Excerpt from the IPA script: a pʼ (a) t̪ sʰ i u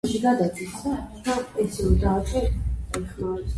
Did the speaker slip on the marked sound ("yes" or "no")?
yes